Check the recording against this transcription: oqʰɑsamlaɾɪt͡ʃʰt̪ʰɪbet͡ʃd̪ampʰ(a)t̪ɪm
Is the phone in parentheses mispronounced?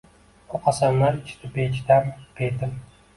yes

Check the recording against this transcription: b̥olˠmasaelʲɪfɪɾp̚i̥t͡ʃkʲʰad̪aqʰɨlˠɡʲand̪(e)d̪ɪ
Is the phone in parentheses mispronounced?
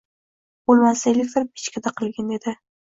no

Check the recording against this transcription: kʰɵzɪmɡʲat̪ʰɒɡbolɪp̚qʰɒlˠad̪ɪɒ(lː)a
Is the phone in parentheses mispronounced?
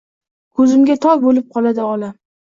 yes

